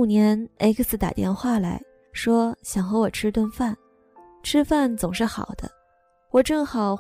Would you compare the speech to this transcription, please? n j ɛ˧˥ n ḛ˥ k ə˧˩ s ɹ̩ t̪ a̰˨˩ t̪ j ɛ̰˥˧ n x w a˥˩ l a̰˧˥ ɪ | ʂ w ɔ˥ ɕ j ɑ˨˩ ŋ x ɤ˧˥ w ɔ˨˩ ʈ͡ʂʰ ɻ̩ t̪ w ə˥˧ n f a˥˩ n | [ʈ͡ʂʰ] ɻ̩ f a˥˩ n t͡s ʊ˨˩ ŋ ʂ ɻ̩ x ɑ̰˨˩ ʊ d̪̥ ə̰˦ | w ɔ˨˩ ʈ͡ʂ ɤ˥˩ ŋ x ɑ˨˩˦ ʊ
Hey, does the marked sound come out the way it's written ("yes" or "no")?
yes